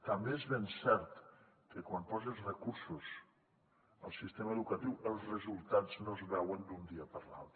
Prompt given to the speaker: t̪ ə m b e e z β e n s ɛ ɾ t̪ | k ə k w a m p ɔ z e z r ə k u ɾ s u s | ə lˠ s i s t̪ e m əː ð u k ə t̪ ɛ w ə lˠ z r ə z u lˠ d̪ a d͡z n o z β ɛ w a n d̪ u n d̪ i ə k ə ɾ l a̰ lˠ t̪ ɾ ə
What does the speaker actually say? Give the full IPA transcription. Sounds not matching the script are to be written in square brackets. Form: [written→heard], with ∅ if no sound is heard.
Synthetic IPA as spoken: t̪ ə m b e e z β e n s ɛ ɾ t̪ | k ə k w a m p ɔ z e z r ə k u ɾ s u s | ə lˠ s i s t̪ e m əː ð u k ə t̪ [ɛ→i] w ə lˠ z r ə z u lˠ [d̪→t̪] a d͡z n o z β ɛ w [a→ə] n d̪ u n d̪ i ə [k→p] ə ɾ l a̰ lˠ t̪ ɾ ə

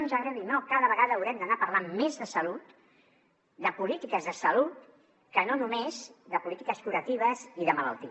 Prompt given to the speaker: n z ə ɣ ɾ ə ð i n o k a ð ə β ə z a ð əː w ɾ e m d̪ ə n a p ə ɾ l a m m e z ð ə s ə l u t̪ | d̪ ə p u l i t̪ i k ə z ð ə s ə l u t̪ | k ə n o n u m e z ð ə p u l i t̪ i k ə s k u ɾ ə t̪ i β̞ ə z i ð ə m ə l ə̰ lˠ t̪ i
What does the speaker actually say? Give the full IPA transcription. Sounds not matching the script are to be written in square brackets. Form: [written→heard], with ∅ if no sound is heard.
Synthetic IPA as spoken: n z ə ɣ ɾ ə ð i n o k a ð ə β ə [z→ɣ] a ð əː w ɾ [e→ɛ] m d̪ ə n a p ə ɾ l a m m e z ð ə s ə l u t̪ | d̪ ə p u l i t̪ i k ə z ð ə s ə l u t̪ | k ə n o n u m e z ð ə p u l i t̪ i k ə s k u ɾ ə t̪ i β̞ ə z i ð ə m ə l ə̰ lˠ t̪ i

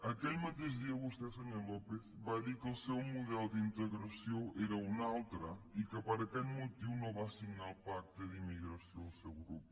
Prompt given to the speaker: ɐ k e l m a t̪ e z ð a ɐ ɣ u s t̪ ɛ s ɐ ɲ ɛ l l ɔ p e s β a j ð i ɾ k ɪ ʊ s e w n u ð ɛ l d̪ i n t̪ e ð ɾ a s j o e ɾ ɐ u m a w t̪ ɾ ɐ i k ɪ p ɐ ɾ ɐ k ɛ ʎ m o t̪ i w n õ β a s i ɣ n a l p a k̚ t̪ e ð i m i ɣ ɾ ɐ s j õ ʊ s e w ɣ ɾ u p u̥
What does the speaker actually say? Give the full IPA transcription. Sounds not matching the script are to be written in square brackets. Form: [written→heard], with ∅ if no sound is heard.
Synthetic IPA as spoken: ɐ k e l m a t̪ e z ð [a→i] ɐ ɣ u s t̪ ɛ s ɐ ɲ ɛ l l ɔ p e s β a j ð i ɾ k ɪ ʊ s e w [n→m] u ð ɛ l d̪ i n t̪ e [ð→ɣ] ɾ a s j o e ɾ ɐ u [m→n] a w t̪ ɾ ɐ i k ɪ p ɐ ɾ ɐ k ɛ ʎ m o t̪ i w n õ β a s i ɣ n a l p a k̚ t̪ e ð i m i ɣ ɾ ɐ s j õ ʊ s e w ɣ ɾ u p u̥

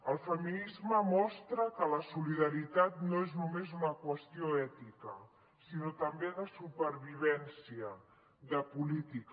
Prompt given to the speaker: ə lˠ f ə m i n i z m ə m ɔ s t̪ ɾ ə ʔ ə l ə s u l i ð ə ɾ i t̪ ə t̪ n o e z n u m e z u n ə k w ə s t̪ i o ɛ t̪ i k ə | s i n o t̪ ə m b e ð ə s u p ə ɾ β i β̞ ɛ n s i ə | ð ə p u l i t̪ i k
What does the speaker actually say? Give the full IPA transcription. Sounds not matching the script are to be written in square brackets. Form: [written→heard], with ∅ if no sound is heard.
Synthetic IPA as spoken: ə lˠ f ə m i n i z m ə m ɔ s t̪ ɾ ə [ʔ→k] ə l ə s u l i ð ə ɾ i t̪ [ə→a] t̪ n o e z n u m e z u n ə k w ə s t̪ i o ɛ t̪ i k ə | s i n o t̪ ə m b e ð ə s u p ə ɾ β i β̞ ɛ n s i ə | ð ə p u l i t̪ i k

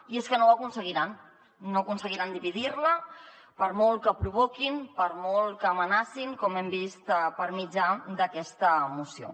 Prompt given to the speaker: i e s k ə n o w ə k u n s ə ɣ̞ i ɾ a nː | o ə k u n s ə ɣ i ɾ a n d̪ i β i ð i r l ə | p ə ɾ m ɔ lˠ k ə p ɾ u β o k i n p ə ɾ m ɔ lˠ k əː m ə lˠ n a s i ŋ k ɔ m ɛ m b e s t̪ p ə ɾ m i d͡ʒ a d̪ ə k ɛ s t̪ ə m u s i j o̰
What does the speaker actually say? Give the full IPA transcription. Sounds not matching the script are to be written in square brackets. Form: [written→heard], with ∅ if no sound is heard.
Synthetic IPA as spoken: i e s k ə n o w ə k u n s ə ɣ̞ i ɾ a nː | o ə k u n s ə ɣ i ɾ a n d̪ i β i ð i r l ə | p ə ɾ m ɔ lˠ k ə p ɾ u β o k i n p ə ɾ m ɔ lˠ k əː m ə [lˠ→∅] n a s i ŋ k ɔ m ɛ m b [e→i] s t̪ p ə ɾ m i d͡ʒ a d̪ ə k ɛ s t̪ ə m u s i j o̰

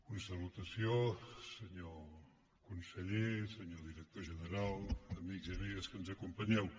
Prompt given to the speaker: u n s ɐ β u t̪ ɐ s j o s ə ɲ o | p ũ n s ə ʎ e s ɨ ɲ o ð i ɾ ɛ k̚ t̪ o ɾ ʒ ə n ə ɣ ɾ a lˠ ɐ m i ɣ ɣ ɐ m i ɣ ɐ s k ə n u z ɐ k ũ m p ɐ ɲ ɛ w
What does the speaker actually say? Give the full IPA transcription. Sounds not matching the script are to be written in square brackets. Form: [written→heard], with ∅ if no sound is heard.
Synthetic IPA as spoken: u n s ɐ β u t̪ ɐ s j o s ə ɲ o | [p→k] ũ n s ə ʎ e s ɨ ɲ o ð i ɾ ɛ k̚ t̪ o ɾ ʒ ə n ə [ɣ→∅] ɾ a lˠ ɐ m i ɣ [ɣ→z] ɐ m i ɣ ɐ s k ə n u z ɐ k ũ m p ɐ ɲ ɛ w

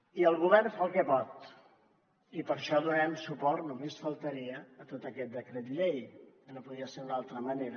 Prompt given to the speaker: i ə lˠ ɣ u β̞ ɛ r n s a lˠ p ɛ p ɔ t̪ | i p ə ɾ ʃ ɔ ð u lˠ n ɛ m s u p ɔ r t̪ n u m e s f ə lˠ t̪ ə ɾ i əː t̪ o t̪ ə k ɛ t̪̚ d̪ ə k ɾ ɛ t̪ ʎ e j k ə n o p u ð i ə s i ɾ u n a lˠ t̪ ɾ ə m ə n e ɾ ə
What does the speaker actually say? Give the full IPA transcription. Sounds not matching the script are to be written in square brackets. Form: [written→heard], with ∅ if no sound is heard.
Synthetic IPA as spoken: i ə lˠ ɣ u β̞ ɛ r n [s→f] a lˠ [p→k] ɛ p ɔ t̪ | i p ə ɾ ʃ ɔ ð u [lˠ→∅] n ɛ m s u p ɔ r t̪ n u m e s f ə lˠ t̪ ə ɾ i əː t̪ o t̪ ə k ɛ t̪̚ d̪ ə k ɾ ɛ t̪ ʎ e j k ə n o p u ð i ə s [i→e] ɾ u n a lˠ t̪ ɾ ə m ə n e ɾ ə

